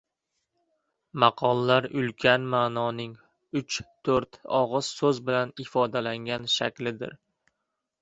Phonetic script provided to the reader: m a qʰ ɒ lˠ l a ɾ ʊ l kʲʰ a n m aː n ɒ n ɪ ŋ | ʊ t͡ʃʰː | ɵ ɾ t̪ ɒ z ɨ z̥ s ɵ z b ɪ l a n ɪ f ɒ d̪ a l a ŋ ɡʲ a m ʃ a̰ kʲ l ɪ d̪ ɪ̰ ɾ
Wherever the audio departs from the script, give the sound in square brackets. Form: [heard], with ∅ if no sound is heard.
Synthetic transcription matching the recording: m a qʰ ɒ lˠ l a ɾ ʊ l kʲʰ a n m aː n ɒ n ɪ ŋ | ʊ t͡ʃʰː | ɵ ɾ t̪ ɒ [ʁ] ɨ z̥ s ɵ z b ɪ l a n ɪ f ɒ d̪ a l a ŋ ɡʲ a [n] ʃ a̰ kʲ l ɪ d̪ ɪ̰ ɾ